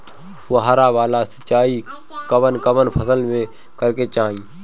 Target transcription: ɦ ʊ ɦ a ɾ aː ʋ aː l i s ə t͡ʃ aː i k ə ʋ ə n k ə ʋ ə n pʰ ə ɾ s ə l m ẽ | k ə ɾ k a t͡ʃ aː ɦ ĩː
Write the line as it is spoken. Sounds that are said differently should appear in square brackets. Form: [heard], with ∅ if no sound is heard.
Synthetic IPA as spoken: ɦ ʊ ɦ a ɾ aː ʋ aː l [a] s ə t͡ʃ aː i k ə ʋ ə n k ə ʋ ə n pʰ ə [∅] s ə l m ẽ | k ə ɾ k [e] t͡ʃ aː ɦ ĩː